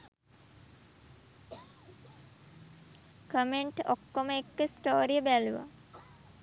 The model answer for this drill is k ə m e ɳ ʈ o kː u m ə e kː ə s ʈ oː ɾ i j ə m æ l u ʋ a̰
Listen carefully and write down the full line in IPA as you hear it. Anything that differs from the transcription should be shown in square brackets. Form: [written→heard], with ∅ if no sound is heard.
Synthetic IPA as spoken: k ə m e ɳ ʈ o kː [u→o] m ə e kː ə s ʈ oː ɾ i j ə [m→b] æ l u ʋ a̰